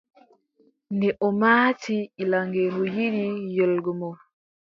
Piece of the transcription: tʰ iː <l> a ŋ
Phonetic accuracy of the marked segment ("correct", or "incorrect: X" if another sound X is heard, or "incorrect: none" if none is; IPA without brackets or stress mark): correct